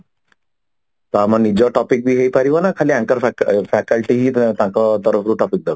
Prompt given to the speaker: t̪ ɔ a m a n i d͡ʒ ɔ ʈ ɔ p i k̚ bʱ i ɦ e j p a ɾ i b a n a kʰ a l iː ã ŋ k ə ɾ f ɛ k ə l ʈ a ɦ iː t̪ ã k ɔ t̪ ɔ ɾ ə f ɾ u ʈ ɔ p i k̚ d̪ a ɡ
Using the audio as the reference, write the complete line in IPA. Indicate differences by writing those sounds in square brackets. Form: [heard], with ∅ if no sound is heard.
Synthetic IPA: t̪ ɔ a m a n i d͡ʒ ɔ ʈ ɔ p i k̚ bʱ i ɦ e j p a ɾ i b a n a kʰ a l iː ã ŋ k ə ɾ f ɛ k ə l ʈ [i] ɦ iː t̪ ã k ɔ t̪ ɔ ɾ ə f ɾ u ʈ ɔ p i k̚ d̪ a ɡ